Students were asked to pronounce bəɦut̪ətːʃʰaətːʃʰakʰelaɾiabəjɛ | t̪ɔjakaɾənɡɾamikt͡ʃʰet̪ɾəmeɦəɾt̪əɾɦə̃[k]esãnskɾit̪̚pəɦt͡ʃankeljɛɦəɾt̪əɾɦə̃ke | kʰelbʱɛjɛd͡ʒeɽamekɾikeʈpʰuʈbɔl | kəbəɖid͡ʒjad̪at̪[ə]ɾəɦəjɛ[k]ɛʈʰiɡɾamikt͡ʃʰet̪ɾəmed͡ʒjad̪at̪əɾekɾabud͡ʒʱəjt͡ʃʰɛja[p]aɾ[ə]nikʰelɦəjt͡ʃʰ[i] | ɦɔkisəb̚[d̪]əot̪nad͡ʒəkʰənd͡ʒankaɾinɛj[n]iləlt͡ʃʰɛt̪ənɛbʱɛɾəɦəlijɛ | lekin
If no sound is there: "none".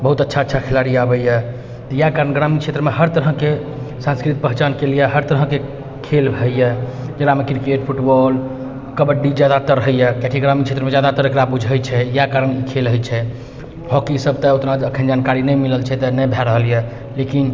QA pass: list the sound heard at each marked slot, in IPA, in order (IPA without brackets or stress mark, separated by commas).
k, ə, k, k, ə, ɛ, t̪, m